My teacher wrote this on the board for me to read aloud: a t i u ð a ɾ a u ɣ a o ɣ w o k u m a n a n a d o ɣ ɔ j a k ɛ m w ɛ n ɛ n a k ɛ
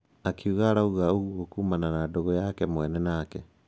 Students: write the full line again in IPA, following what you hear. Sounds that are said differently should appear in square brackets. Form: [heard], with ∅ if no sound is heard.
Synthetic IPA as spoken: a [k] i u [ɣ] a ɾ a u ɣ a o ɣ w o k u m a n a n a d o ɣ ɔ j a k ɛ m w ɛ n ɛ n a k ɛ